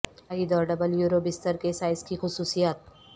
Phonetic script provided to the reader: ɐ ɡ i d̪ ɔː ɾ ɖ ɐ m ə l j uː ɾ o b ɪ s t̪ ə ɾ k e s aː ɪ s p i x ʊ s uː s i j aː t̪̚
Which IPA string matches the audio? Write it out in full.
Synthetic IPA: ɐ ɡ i d̪ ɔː ɾ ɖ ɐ b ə l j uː ɾ o b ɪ s t̪ ə ɾ k e s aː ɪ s k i x ʊ s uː s i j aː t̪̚